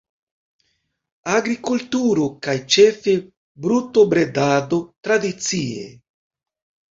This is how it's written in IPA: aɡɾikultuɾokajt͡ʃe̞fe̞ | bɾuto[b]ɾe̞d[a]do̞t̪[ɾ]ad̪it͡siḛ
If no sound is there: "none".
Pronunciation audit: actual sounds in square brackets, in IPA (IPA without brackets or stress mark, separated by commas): b, a, ɾ